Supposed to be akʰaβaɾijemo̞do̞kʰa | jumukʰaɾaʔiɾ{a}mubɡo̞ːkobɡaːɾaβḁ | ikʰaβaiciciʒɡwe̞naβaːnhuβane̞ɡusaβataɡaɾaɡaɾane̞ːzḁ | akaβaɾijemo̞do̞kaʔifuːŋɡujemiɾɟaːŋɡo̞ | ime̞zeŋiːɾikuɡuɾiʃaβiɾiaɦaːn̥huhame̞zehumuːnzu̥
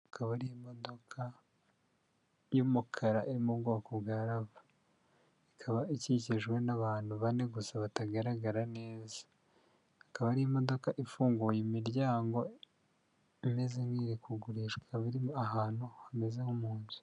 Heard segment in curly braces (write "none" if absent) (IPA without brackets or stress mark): i